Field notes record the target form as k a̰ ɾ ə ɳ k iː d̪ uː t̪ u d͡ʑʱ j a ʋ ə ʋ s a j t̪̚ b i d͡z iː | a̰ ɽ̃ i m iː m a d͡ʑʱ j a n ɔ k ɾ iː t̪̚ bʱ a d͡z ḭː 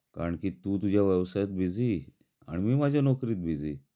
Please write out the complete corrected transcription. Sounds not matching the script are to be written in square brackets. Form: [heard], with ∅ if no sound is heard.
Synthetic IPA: k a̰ ɾ ə ɳ k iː [t̪] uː t̪ u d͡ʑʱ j a ʋ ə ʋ s a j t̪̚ b i d͡z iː | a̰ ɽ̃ i m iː m a d͡ʑʱ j a n ɔ k ɾ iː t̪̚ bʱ [i] d͡z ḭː